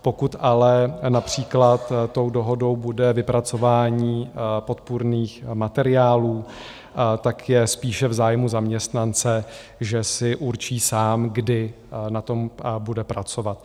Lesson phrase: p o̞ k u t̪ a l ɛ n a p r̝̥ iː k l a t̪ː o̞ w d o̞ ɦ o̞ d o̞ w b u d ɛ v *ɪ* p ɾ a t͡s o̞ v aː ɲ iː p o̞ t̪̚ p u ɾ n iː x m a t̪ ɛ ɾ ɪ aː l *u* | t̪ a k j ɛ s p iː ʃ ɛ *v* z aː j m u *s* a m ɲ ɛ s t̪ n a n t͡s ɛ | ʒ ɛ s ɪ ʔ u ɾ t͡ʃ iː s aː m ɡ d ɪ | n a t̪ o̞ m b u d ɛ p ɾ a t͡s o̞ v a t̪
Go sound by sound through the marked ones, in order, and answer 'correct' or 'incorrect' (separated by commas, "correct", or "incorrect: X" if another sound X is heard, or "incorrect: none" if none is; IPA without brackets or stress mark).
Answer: correct, incorrect: uː, correct, incorrect: z